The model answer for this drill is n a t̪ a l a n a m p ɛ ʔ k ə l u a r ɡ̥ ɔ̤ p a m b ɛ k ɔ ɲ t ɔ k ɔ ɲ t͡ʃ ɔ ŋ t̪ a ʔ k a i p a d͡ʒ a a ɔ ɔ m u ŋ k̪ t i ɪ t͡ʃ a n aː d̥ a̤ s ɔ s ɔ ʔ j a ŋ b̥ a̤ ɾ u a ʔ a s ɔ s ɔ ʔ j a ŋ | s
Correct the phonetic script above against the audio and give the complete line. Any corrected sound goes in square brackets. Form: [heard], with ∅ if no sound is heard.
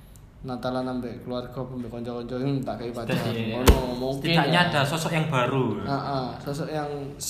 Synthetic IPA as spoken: n a t̪ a l a n a m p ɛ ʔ k ə l u a r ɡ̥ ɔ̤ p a m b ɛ k ɔ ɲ [t͡ʃ] ɔ k ɔ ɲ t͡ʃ ɔ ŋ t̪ a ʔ k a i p a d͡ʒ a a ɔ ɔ m u ŋ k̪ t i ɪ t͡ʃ a [ɲ] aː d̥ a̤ s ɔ s ɔ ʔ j a ŋ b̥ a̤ ɾ u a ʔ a s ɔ s ɔ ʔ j a ŋ | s